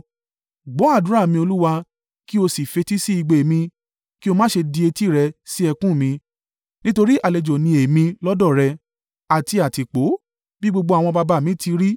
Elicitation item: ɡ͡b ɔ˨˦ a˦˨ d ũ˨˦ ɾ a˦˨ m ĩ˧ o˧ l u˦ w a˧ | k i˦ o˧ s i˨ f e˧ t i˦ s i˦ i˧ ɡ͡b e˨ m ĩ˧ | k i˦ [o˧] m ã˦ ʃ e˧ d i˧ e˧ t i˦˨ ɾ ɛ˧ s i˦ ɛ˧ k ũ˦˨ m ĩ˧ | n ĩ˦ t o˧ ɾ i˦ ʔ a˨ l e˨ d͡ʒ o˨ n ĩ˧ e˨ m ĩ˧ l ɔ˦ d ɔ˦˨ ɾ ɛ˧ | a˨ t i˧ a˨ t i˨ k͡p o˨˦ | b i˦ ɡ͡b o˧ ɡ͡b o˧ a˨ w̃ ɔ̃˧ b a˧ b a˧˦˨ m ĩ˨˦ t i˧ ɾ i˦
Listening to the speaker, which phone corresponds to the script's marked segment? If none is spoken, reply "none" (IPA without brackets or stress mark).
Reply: o˧